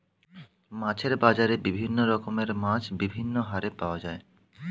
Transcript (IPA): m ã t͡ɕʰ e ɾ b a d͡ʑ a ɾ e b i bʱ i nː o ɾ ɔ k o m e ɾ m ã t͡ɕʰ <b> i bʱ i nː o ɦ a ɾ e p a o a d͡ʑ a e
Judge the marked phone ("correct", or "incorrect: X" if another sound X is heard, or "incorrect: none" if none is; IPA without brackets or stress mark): correct